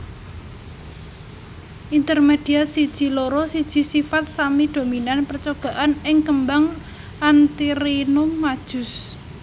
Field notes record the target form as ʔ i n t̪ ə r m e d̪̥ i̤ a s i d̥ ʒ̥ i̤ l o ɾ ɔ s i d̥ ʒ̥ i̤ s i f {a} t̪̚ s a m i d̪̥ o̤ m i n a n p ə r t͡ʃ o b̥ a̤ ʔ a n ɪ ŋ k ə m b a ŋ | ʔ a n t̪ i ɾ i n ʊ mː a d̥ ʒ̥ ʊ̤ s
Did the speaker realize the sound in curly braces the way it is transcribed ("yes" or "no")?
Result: yes